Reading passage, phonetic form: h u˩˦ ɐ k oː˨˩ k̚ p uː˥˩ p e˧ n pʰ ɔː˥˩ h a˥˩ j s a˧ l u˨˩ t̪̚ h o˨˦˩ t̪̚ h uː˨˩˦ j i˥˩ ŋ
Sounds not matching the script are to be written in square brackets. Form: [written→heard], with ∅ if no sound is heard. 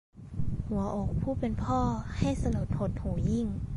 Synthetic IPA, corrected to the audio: h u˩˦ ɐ [k→ʔ] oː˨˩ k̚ [p→pʰ] uː˥˩ p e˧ n pʰ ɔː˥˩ h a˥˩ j s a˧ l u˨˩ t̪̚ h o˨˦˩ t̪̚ h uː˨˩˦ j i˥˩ ŋ

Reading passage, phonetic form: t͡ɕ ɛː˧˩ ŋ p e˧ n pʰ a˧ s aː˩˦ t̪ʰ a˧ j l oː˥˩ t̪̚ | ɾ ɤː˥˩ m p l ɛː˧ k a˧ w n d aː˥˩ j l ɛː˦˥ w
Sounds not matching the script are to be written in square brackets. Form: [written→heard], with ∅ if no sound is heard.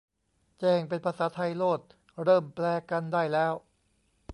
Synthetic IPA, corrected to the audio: t͡ɕ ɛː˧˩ ŋ p e˧ n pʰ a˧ s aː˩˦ t̪ʰ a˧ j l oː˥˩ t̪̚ | ɾ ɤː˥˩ m p l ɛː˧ k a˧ [w→∅] n d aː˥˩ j l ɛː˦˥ w

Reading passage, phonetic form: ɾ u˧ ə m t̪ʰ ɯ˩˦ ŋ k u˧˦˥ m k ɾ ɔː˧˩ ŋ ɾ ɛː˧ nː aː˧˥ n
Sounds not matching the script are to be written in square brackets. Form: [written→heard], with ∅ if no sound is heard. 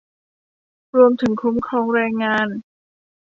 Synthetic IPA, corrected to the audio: ɾ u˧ ə m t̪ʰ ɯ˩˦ ŋ [k→kʰ] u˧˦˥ m [k→kʰ] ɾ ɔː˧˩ ŋ ɾ ɛː˧ [nː→ŋː] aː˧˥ n

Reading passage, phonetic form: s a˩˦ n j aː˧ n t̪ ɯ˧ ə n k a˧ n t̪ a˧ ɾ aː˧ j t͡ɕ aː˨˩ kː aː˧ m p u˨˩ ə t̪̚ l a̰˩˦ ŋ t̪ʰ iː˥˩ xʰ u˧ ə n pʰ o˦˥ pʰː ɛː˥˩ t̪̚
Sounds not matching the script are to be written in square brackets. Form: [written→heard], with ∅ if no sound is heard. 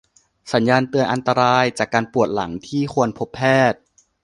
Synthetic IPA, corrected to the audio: s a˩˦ n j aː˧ n t̪ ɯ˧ ə n [k→ʔ] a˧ n t̪ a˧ ɾ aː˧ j t͡ɕ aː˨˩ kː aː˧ [m→n] p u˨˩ ə t̪̚ l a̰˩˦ ŋ t̪ʰ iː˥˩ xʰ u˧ ə n pʰ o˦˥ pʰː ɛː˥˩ t̪̚

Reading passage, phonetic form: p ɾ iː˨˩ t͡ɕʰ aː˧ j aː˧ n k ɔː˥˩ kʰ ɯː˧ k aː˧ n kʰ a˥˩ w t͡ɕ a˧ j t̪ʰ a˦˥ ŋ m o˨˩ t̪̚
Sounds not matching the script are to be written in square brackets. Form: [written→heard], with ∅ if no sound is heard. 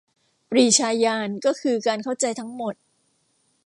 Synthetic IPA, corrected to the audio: p ɾ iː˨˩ t͡ɕʰ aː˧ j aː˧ n k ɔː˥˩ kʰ ɯː˧ k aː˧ n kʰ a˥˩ w t͡ɕ a˧ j t̪ʰ a˦˥ ŋ m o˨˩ t̪̚

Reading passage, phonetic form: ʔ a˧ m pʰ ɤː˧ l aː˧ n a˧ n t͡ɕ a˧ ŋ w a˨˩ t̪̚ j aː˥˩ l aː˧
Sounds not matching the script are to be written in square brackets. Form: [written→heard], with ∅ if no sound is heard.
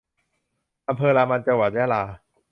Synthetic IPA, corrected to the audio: ʔ a˧ m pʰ ɤː˧ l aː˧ [n→m] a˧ n t͡ɕ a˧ ŋ w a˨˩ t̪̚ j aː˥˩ l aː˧

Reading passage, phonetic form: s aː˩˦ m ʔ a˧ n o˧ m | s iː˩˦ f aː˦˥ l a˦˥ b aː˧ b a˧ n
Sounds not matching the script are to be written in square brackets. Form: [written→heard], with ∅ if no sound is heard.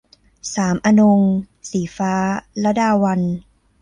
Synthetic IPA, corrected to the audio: s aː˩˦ m ʔ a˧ n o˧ [m→ŋ] | s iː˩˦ f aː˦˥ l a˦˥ [b→d] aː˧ [b→w] a˧ n

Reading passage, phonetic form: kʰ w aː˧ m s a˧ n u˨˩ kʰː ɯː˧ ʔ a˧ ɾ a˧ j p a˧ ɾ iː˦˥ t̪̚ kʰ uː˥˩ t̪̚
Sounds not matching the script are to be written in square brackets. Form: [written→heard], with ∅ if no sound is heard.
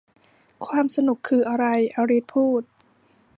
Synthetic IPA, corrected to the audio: kʰ w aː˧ m s a˧ n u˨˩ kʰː ɯː˧ ʔ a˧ ɾ a˧ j [p→ʔ] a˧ ɾ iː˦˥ t̪̚ [kʰ→pʰ] uː˥˩ t̪̚

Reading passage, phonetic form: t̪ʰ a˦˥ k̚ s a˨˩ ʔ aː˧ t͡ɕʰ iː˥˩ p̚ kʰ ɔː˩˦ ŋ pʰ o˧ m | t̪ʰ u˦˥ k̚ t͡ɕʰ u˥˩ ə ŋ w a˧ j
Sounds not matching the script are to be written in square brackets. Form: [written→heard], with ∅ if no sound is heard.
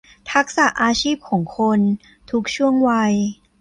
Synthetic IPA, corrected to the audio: t̪ʰ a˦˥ k̚ s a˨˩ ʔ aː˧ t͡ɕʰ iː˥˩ p̚ kʰ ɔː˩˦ ŋ [pʰ→kʰ] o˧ [m→n] | t̪ʰ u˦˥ k̚ t͡ɕʰ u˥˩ ə ŋ w a˧ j

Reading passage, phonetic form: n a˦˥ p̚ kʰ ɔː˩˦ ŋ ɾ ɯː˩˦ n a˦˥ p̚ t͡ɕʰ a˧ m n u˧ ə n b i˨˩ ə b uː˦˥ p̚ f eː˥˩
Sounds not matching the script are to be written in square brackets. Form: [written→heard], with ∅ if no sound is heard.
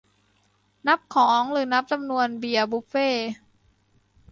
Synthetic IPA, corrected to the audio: n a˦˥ p̚ kʰ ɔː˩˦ ŋ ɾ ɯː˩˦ n a˦˥ p̚ [t͡ɕʰ→t͡ɕ] a˧ m n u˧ ə n b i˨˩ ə b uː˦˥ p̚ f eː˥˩

